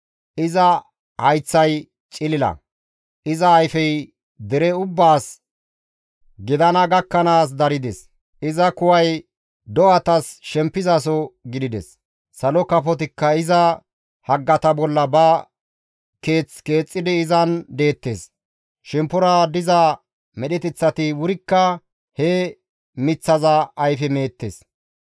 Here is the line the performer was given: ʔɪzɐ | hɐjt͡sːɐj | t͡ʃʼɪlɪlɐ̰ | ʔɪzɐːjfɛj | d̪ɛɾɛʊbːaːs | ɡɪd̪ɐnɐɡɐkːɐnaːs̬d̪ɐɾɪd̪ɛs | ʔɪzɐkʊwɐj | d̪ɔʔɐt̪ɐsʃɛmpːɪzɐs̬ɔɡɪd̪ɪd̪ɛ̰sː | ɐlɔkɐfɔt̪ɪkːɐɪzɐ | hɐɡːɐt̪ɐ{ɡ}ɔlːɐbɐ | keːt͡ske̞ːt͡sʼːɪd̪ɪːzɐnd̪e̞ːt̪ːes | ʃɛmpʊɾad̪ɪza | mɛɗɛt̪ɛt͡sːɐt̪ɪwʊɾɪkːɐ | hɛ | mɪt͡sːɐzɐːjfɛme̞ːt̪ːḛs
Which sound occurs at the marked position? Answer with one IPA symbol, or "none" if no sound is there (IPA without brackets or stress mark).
b